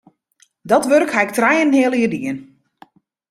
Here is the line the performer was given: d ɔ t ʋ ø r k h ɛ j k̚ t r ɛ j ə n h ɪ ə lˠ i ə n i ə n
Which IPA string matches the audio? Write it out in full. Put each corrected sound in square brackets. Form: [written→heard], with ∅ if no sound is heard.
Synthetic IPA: d ɔ t ʋ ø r k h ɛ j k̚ t r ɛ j ə n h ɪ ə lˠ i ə [n→d] i ə n